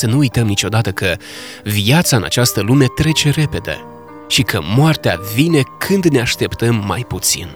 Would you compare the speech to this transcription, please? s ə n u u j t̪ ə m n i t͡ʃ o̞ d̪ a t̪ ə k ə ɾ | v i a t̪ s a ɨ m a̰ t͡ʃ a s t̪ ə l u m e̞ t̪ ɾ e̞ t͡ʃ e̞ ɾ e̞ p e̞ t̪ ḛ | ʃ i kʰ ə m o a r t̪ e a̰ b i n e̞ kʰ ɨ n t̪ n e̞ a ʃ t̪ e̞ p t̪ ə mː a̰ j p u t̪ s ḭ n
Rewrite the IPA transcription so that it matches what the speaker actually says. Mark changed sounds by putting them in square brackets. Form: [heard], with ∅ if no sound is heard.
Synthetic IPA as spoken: s ə n u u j t̪ ə m n i t͡ʃ o̞ d̪ a t̪ ə k ə [∅] | v i a t̪ s a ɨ [n] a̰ t͡ʃ a s t̪ ə l u m e̞ t̪ ɾ e̞ t͡ʃ e̞ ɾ e̞ p e̞ [d̪] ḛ | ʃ i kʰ ə m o a r t̪ e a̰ [v] i n e̞ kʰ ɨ n [d̪] n e̞ a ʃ t̪ e̞ p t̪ ə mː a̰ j p u t̪ s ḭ n